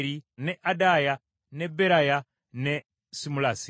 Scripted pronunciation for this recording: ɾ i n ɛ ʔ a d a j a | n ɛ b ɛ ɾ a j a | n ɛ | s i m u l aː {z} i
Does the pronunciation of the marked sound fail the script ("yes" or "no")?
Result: yes